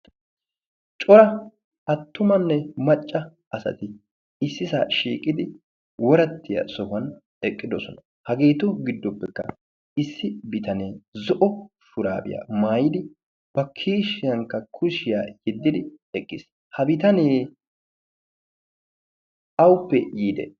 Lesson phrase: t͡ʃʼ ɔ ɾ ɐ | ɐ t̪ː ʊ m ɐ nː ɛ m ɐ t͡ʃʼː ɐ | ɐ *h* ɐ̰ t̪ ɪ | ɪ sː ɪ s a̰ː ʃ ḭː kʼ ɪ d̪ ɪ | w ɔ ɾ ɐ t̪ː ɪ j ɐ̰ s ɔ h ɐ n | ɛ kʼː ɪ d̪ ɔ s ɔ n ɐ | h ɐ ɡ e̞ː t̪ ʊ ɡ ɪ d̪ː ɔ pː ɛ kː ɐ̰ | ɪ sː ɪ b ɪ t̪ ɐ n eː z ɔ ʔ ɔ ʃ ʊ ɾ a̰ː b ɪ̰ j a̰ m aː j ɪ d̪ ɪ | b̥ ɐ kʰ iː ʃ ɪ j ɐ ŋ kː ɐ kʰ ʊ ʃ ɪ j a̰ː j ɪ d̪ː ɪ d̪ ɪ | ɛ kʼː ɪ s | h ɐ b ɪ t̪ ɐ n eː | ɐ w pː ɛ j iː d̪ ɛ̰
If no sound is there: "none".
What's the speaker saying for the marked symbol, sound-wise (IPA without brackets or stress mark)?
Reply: s